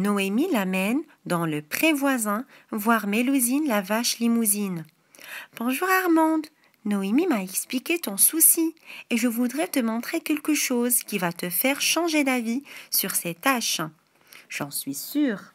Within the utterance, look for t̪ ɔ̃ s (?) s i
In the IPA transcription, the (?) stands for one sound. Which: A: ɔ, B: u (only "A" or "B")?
B